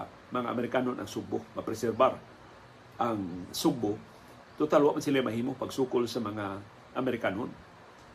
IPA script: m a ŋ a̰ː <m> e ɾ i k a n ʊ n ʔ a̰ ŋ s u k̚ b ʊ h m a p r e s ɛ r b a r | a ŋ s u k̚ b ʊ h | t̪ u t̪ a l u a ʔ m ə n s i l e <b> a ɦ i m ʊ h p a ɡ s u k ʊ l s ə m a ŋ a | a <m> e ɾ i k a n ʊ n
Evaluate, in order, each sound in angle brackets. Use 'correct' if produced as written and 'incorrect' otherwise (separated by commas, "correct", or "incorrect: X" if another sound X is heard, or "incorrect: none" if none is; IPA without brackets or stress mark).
correct, incorrect: m, correct